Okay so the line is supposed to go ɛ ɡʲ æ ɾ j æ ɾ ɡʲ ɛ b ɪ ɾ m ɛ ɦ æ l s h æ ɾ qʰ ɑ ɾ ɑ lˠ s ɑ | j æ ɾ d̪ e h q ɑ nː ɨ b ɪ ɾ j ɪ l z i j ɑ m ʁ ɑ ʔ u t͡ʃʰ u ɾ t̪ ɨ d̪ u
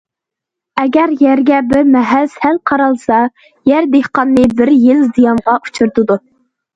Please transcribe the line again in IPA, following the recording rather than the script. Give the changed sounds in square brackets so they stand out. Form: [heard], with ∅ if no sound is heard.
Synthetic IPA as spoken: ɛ ɡʲ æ ɾ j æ ɾ ɡʲ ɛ b ɪ ɾ m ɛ ɦ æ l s h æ [l] qʰ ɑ ɾ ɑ lˠ s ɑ | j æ ɾ d̪ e h q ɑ nː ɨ b ɪ ɾ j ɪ l z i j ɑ m ʁ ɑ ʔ u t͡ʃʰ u ɾ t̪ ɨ d̪ u